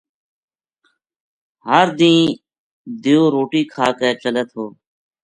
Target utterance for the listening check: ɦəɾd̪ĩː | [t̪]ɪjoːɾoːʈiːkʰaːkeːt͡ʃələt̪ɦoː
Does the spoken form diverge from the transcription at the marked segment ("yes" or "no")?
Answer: yes